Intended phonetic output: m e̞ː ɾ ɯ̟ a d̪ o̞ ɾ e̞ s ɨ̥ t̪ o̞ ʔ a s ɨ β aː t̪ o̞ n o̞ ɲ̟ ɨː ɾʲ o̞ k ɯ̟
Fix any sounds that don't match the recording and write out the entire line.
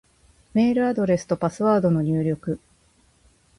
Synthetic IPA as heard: m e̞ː ɾ ɯ̟ a d̪ o̞ ɾ e̞ s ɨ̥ t̪ o̞ p a s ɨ β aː d̪ o̞ n o̞ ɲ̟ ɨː ɾʲ o̞ k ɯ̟